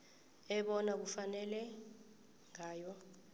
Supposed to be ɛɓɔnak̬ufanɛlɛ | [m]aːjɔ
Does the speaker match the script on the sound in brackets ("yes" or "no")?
no